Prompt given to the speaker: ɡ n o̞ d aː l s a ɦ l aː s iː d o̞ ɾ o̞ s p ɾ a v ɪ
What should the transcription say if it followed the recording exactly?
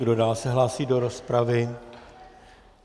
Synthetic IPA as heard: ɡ d o̞ d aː l s ɛ ɦ l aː s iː d o̞ ɾ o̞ s p ɾ a v ɪ